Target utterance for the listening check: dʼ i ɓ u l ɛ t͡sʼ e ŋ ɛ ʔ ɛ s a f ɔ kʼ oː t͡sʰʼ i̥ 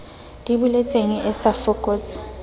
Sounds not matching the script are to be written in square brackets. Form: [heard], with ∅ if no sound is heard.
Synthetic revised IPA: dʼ i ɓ u l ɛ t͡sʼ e ŋ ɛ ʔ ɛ s a f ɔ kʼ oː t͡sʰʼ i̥